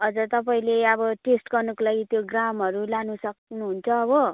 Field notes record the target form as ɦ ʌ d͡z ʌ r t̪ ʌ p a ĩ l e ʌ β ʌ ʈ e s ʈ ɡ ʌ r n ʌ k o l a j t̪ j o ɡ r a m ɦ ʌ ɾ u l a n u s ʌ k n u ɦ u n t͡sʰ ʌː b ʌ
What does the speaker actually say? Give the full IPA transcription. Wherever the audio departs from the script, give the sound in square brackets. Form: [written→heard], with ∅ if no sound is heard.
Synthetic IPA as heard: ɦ ʌ d͡z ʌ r t̪ ʌ p a ĩ l e ʌ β ʌ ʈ e s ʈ ɡ ʌ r n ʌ k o l a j t̪ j o ɡ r a m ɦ ʌ ɾ u l a n u s ʌ k n u ɦ u n t͡sʰ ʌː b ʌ